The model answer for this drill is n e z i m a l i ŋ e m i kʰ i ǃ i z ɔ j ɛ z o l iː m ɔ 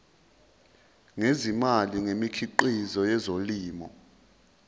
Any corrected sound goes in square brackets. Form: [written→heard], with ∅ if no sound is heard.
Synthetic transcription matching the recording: [n→ŋ] e z i m a l i ŋ e m i kʰ i ǃ i z ɔ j ɛ z o l iː m ɔ